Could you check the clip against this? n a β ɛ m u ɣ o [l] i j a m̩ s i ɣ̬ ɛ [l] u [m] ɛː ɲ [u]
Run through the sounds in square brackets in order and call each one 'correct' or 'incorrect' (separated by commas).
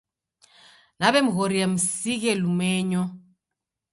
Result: incorrect, correct, correct, incorrect